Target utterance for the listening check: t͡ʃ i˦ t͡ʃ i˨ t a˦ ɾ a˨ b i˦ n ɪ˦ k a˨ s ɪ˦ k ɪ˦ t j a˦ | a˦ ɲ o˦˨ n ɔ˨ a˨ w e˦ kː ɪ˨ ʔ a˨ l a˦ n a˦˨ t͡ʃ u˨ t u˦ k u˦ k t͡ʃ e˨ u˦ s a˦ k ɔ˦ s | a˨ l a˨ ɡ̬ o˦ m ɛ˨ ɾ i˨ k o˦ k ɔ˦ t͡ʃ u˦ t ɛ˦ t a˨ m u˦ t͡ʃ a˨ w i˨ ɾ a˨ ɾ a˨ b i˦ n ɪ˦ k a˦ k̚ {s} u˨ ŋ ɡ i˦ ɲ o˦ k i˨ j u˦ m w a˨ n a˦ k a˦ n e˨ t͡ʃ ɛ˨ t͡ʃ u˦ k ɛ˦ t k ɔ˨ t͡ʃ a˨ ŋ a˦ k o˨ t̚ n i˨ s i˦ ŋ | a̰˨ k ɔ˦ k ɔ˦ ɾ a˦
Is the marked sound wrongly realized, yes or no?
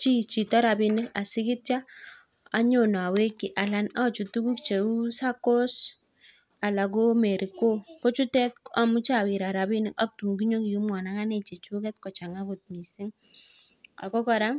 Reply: yes